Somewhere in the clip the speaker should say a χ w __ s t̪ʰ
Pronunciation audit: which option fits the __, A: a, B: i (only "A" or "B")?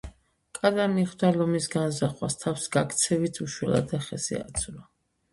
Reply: A